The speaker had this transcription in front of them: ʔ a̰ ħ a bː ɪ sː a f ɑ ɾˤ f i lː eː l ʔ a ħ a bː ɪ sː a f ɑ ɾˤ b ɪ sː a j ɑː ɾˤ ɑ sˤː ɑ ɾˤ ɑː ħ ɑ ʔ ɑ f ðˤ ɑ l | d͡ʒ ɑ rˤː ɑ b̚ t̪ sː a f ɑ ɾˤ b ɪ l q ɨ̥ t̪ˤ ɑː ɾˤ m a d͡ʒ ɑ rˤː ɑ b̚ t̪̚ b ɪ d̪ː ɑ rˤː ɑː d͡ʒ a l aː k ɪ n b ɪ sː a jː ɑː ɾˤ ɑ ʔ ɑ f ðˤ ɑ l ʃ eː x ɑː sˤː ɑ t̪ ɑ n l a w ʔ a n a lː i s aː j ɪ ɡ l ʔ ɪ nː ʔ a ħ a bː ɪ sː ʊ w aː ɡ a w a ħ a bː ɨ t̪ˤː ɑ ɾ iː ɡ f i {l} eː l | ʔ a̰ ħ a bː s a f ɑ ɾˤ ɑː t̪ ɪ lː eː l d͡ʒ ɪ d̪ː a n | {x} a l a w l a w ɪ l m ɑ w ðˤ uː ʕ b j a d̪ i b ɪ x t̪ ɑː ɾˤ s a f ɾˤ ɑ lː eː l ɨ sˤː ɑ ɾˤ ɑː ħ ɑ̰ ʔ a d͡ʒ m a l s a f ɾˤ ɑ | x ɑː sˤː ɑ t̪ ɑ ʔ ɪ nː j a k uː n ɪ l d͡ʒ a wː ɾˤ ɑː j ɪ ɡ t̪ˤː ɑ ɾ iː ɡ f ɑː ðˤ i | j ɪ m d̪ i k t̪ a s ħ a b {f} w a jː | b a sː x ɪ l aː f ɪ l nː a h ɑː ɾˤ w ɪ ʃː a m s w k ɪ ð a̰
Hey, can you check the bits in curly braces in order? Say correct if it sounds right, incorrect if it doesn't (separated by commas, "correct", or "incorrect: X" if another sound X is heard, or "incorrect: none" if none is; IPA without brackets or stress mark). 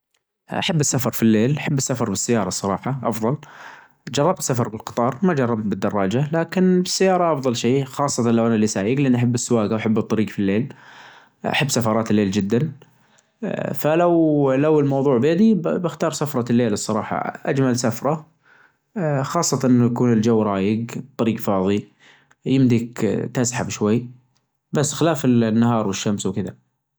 incorrect: lː, incorrect: f, incorrect: ʃ